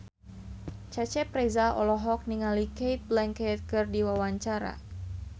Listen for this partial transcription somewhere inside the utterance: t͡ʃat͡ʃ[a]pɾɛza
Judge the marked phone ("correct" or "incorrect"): incorrect